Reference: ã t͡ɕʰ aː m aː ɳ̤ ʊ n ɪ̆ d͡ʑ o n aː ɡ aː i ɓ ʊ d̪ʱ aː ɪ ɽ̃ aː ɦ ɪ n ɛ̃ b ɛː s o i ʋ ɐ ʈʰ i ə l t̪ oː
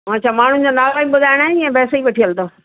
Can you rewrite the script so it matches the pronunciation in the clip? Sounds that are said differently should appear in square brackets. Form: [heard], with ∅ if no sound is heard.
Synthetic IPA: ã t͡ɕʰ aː m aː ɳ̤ ʊ n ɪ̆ d͡ʑ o n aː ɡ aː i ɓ ʊ d̪ʱ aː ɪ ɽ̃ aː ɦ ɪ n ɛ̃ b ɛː s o i ʋ ɐ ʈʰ i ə l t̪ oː